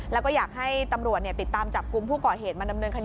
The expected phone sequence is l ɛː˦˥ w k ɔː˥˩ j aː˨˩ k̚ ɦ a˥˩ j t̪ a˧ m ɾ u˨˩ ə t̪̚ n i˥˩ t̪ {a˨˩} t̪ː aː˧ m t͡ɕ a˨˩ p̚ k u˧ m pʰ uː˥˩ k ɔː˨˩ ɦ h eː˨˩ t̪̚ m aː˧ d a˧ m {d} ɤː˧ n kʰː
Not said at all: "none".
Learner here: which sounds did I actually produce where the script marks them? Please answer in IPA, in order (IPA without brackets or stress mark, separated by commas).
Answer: i˨˩, n